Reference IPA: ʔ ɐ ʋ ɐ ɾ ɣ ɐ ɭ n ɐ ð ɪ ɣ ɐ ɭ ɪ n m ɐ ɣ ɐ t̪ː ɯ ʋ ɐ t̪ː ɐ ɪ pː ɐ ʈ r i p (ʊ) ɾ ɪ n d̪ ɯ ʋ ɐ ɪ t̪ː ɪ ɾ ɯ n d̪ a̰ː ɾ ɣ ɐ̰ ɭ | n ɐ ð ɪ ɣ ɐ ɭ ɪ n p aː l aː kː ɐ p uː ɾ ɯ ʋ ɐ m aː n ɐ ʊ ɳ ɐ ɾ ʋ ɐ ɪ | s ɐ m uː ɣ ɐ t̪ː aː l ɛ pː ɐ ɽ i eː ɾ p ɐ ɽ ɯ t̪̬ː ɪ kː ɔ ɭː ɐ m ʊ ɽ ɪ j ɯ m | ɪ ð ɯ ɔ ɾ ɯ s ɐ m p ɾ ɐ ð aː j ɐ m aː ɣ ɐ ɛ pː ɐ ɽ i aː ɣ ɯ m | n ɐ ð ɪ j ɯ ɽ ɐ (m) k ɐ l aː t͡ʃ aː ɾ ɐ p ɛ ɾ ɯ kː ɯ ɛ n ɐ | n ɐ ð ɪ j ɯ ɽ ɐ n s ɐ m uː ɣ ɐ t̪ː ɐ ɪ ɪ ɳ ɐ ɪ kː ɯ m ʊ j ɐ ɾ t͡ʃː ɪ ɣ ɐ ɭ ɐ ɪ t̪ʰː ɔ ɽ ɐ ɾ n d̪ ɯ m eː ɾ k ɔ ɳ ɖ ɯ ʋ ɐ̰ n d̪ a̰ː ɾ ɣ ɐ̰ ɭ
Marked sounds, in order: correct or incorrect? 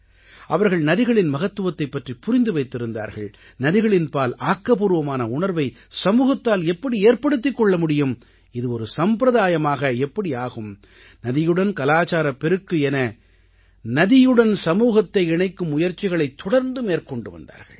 correct, incorrect: n

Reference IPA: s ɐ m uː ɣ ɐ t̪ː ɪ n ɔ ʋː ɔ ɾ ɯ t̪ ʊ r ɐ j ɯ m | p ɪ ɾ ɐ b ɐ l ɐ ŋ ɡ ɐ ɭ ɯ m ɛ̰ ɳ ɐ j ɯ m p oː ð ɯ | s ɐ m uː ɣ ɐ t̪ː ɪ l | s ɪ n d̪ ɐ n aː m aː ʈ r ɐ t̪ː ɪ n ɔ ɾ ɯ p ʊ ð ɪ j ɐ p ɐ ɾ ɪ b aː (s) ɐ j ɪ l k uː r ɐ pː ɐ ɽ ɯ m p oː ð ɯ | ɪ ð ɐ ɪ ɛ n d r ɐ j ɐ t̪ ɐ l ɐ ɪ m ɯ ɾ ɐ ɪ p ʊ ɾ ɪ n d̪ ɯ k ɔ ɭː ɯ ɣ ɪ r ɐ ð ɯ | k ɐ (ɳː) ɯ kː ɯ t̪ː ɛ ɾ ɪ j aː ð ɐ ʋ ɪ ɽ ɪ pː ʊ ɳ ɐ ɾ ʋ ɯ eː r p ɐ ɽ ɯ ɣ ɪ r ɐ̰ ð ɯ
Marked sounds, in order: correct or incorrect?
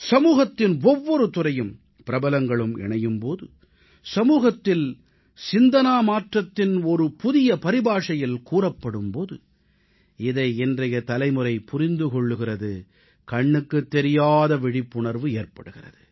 incorrect: ʂ, correct

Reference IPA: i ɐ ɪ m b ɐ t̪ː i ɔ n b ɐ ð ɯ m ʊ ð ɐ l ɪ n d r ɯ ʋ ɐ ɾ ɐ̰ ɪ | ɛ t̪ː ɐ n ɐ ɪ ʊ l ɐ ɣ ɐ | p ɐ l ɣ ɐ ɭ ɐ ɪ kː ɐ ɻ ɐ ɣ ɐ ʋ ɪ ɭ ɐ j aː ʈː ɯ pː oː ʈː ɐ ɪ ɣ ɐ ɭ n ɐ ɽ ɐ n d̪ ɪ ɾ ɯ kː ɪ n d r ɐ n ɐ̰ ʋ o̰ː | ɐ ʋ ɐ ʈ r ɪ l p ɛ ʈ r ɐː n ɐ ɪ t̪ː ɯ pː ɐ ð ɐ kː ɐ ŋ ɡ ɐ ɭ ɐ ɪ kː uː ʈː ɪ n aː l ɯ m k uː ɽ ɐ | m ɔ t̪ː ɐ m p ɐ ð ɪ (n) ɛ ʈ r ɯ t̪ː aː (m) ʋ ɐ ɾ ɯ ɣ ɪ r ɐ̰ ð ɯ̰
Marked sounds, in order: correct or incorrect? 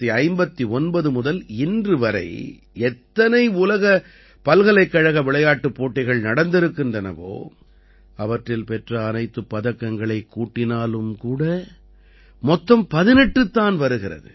correct, incorrect: n

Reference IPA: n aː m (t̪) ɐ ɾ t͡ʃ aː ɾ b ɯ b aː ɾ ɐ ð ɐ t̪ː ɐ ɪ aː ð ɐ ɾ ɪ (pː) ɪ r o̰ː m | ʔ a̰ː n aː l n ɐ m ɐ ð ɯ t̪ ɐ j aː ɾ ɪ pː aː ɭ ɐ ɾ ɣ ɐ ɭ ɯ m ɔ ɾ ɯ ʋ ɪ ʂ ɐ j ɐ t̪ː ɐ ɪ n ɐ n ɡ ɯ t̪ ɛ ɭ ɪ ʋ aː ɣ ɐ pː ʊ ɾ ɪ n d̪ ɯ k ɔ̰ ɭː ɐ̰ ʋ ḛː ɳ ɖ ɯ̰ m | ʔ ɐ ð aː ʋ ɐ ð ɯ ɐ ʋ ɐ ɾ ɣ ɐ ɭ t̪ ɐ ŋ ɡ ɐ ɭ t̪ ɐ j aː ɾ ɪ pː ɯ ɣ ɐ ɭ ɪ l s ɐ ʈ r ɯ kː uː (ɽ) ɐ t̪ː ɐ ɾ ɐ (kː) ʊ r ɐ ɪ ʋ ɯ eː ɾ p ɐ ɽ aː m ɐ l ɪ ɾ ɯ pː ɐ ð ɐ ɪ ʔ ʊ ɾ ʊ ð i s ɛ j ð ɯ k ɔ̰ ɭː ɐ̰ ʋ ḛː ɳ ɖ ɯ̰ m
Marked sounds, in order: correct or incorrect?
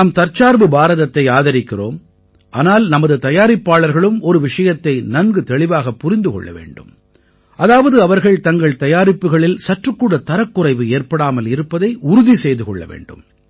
correct, incorrect: kː, correct, correct

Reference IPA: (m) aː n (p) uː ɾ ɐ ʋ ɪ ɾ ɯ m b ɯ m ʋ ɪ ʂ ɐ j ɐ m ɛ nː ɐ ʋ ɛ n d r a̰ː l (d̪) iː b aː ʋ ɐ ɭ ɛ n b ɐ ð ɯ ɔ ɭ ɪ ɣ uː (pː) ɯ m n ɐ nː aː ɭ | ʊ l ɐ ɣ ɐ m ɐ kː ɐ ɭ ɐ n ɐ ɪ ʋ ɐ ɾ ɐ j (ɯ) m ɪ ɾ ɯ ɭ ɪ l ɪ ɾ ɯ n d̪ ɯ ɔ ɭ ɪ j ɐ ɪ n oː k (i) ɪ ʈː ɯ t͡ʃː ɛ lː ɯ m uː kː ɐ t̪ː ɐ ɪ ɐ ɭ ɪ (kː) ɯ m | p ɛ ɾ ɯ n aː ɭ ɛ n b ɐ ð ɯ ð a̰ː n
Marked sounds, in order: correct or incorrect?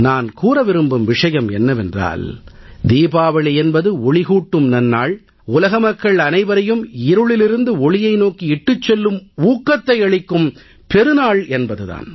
incorrect: n, incorrect: k, correct, incorrect: ʈː, correct, correct, correct

